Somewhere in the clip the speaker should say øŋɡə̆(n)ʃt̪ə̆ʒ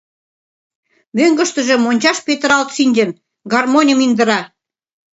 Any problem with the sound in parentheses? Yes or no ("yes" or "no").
yes